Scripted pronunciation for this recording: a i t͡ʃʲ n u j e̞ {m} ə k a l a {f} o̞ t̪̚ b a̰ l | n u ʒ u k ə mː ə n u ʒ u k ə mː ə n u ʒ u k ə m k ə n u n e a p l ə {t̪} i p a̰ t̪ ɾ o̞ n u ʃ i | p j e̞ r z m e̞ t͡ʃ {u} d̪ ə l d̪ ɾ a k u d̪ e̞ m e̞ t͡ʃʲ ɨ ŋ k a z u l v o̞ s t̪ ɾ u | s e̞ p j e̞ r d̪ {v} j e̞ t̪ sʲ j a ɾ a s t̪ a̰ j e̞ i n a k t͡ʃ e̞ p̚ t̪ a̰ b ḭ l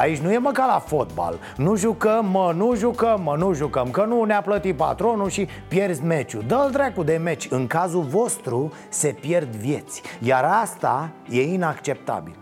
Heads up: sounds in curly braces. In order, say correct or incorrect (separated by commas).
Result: correct, correct, correct, correct, correct